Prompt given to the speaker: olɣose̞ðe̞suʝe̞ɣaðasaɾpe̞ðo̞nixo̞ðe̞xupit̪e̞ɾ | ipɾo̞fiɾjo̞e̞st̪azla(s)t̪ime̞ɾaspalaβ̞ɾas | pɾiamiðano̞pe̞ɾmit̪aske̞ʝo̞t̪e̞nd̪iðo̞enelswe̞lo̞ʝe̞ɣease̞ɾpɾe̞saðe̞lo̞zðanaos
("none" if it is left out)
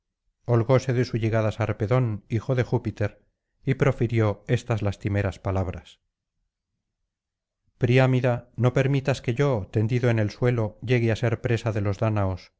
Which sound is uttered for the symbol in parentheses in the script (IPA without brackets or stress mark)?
s